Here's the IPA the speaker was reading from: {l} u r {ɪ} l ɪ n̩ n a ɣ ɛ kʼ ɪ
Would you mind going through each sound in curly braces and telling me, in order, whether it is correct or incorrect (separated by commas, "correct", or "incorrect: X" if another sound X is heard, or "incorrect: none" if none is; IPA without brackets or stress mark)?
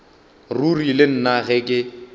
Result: incorrect: r, incorrect: i